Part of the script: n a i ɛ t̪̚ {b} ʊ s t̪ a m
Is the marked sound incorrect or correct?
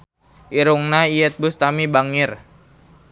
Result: correct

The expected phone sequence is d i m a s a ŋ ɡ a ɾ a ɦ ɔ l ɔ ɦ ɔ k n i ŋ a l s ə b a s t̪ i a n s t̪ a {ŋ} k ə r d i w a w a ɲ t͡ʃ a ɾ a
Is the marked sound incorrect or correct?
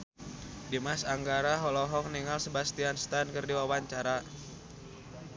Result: incorrect: n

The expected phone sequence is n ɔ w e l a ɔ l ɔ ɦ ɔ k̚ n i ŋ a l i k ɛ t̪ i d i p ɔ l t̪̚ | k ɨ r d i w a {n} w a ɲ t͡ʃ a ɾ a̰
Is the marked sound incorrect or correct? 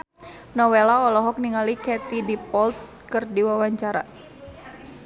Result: incorrect: none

